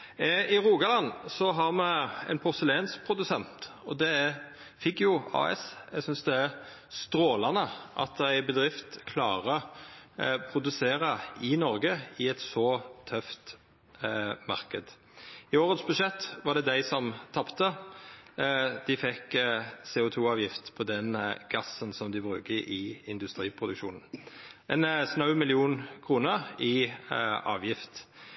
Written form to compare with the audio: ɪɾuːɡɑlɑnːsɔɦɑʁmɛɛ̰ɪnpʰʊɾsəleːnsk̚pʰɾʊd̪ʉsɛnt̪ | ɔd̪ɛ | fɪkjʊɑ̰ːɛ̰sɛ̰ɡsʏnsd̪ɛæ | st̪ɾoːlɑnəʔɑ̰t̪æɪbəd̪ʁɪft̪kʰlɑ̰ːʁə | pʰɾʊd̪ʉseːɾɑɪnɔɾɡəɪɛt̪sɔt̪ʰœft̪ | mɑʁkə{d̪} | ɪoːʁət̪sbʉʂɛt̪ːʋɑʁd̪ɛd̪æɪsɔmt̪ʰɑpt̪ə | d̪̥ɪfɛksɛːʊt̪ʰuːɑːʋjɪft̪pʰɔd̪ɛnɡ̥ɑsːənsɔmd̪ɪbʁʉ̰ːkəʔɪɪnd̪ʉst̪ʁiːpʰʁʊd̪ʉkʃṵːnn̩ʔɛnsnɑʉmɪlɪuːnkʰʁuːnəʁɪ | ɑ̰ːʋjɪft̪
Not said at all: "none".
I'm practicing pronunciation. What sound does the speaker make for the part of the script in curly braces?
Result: d̪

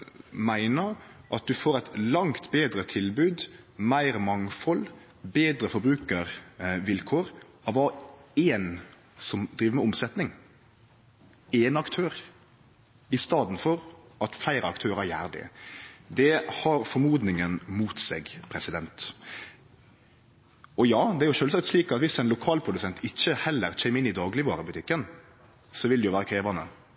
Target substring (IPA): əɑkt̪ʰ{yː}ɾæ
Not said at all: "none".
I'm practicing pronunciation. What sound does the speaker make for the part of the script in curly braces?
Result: øː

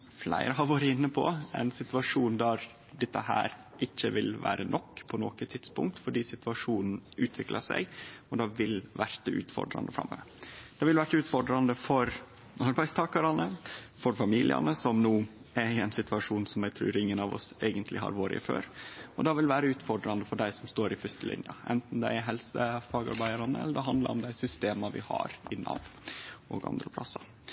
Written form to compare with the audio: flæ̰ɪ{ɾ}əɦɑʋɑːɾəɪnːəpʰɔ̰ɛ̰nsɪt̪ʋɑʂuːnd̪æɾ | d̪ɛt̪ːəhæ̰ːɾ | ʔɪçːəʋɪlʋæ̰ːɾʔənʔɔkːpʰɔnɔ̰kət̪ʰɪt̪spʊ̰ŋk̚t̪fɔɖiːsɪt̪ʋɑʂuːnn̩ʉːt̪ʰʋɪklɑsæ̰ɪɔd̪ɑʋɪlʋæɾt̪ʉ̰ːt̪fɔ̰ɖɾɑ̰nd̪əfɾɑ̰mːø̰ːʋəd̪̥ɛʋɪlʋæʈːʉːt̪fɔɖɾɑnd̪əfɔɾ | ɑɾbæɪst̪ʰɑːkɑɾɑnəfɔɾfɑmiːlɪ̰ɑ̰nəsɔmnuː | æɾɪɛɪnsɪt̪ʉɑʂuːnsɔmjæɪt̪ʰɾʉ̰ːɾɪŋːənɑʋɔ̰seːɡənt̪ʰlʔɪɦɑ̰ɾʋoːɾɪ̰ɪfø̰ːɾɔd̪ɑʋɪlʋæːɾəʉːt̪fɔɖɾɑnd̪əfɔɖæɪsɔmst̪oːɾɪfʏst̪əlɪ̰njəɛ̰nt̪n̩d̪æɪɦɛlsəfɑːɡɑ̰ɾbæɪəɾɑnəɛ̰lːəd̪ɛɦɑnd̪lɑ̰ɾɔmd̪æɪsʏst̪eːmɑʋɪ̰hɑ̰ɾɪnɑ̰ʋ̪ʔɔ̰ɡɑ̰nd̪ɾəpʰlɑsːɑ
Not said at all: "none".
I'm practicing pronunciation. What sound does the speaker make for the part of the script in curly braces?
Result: ɾ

